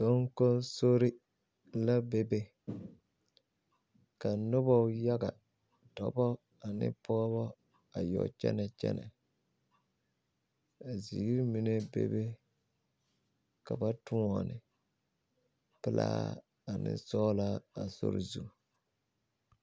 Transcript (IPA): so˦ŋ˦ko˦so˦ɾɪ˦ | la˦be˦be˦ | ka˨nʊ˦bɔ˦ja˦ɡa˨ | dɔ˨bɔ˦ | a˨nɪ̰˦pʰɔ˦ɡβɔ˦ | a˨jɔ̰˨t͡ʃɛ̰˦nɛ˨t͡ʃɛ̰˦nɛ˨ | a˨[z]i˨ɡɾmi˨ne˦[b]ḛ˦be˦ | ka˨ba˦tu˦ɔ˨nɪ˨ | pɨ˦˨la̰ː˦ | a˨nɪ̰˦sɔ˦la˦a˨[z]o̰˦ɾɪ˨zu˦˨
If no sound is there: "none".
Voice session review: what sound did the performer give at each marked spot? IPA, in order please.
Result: z, b, s

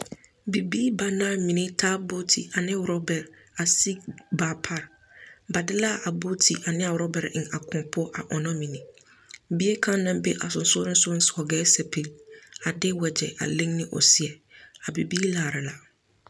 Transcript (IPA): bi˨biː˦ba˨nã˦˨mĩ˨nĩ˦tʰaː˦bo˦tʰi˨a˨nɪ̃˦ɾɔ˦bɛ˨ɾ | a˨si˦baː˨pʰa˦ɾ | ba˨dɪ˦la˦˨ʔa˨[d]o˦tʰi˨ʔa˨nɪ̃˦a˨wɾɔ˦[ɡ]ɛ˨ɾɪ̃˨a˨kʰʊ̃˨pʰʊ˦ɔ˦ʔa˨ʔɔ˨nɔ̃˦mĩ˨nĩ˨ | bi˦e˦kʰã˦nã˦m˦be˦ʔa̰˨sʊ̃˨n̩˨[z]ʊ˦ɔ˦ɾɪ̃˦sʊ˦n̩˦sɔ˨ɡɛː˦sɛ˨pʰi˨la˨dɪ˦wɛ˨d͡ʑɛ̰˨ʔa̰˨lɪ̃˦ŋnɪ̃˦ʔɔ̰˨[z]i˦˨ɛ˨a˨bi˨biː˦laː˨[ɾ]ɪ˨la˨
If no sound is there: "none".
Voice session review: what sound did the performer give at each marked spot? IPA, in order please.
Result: b, b, s, s, ɾ

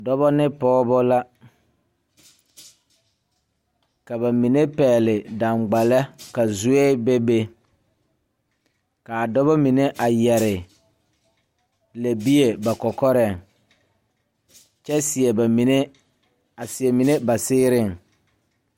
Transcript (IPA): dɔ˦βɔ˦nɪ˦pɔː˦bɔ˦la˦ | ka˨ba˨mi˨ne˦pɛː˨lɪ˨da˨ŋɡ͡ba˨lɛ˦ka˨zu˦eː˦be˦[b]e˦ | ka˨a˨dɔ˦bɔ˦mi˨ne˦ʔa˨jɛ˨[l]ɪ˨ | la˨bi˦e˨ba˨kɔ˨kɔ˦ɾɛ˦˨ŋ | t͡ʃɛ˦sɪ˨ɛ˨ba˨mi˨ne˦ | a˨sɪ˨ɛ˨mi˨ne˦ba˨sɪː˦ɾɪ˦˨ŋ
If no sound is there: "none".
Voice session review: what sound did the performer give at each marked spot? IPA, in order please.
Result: b, ɾ

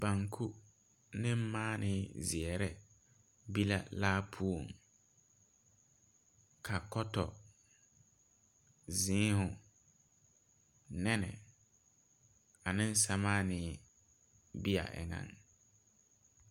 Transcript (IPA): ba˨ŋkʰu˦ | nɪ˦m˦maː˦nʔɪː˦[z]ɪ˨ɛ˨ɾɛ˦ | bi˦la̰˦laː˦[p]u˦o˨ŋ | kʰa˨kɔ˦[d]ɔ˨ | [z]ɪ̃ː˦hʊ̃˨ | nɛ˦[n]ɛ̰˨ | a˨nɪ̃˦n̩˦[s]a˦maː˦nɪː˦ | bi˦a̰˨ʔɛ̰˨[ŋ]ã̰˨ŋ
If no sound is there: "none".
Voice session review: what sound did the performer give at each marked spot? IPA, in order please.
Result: z, pʰ, t, z, n, s, ŋ

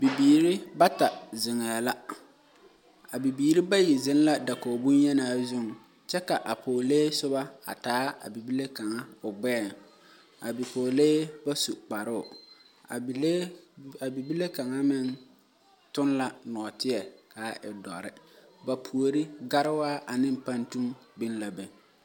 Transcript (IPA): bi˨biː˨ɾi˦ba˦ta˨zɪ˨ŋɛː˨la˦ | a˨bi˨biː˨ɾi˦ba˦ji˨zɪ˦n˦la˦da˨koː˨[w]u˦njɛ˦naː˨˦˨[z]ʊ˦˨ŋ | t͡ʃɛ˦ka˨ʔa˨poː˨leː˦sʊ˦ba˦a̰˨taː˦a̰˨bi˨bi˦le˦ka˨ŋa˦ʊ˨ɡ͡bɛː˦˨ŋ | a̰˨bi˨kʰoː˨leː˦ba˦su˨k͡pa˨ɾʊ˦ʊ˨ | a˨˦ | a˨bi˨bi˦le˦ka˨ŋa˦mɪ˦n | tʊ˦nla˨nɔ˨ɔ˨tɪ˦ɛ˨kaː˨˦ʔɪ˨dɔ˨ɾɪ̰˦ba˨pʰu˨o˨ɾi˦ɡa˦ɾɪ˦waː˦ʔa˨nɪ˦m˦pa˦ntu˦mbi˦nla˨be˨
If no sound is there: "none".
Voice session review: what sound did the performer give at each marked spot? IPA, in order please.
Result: b, z

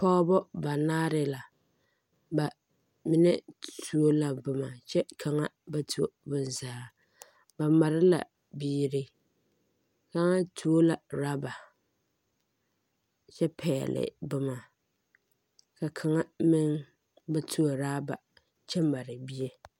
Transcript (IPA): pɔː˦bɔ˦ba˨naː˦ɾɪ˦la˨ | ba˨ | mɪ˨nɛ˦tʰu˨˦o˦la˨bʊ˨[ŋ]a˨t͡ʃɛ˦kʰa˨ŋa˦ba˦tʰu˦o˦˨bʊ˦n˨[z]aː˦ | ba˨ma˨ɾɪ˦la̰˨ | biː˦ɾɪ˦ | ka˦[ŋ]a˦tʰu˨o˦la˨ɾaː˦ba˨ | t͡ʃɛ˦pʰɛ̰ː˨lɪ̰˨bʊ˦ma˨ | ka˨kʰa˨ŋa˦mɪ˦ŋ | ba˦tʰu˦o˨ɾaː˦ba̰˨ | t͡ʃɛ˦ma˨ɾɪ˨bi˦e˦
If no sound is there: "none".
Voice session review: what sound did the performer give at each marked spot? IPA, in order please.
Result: m, z, ŋ

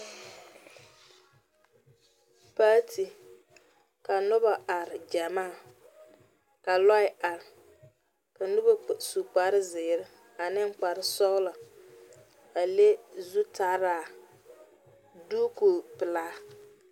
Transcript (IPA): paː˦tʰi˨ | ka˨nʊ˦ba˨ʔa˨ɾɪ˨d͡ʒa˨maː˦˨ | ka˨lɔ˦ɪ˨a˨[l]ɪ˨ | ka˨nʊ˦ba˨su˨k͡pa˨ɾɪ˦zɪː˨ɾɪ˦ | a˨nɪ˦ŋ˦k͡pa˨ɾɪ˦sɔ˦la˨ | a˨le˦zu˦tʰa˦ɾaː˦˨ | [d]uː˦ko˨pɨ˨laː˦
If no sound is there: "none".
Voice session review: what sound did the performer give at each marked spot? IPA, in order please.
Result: ɾ, d

